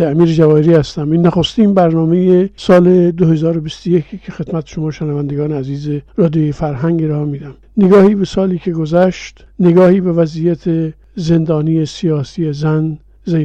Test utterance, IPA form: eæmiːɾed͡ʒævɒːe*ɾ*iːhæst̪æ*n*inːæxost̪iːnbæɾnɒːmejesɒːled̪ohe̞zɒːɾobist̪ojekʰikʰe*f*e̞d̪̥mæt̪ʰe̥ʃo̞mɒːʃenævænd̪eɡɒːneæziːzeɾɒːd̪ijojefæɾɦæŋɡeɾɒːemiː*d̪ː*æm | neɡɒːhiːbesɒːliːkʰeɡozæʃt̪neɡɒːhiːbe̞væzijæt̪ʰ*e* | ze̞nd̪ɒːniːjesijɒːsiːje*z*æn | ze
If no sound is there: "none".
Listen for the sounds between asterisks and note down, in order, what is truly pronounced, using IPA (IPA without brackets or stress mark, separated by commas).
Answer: ɾ, m, x, d̪, e, z